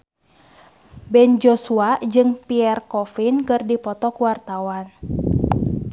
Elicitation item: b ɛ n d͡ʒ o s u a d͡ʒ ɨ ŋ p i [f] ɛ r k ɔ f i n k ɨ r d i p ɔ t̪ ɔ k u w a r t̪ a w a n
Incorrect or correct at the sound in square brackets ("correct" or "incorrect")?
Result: incorrect